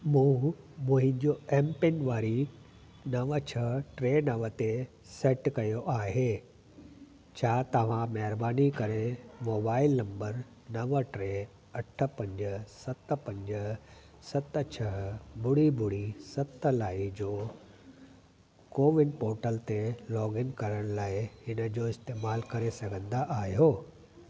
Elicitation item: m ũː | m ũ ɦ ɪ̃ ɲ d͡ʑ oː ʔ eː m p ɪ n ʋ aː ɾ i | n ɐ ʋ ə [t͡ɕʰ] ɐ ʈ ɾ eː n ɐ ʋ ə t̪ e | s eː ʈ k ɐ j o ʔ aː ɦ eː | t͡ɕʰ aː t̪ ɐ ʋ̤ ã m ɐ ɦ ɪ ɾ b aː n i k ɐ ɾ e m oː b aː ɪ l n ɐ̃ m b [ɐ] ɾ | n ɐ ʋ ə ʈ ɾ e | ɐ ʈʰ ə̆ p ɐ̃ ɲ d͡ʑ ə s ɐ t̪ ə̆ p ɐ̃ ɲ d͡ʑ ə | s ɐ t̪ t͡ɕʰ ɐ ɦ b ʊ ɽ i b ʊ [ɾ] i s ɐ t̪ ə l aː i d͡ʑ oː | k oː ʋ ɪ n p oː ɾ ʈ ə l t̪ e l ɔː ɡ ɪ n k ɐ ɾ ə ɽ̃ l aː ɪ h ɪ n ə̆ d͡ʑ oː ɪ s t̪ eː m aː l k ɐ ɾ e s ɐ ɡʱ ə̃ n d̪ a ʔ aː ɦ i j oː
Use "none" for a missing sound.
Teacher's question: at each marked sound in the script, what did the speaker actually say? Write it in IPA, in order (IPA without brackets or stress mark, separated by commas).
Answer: t͡ɕʰ, ə, ɽ